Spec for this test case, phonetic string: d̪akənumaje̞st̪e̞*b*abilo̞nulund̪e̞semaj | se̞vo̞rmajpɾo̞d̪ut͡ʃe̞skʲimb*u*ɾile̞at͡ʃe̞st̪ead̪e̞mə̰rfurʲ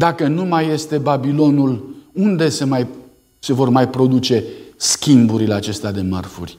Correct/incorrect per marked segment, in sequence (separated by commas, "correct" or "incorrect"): correct, correct